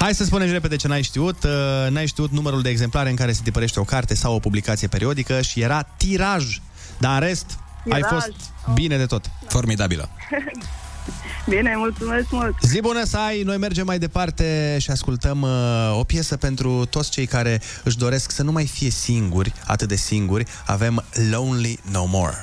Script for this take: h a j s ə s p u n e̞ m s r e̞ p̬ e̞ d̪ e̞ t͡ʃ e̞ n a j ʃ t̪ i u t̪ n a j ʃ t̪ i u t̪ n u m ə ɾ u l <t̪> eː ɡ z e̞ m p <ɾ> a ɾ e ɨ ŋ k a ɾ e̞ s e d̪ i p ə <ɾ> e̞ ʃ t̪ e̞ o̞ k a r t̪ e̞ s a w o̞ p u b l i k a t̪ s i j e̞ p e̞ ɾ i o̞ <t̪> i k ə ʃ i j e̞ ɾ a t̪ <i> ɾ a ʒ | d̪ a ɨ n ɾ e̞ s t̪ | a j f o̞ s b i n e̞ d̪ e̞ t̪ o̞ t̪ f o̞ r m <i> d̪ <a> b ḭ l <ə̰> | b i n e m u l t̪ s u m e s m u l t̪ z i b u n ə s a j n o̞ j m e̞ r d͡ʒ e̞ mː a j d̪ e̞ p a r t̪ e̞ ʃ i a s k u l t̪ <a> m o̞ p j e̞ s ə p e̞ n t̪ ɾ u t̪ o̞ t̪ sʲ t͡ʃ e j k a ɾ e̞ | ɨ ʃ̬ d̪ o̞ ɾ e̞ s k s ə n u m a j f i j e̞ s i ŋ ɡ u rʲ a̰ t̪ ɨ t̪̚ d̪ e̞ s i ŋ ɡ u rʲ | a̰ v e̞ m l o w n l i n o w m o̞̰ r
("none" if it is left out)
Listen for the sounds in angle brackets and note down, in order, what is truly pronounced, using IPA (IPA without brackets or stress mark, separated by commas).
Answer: d̪, l, ɾ, d̪, i, i, a, ə̰, ə